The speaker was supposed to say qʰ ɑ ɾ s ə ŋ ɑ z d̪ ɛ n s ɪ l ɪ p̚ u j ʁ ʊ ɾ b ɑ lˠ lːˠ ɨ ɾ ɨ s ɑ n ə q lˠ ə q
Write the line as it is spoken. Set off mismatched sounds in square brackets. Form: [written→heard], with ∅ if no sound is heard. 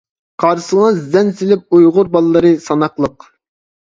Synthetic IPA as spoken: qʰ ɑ ɾ s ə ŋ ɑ z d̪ ɛ n s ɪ l ɪ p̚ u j ʁ ʊ ɾ b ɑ lˠ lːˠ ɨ ɾ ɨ s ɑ n [ə→ɑ] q lˠ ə q